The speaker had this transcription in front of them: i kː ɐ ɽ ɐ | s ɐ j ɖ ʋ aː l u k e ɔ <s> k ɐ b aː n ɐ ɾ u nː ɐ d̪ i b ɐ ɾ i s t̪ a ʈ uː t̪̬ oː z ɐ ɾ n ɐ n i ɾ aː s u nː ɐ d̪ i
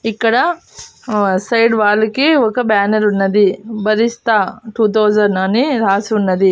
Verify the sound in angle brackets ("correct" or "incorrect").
incorrect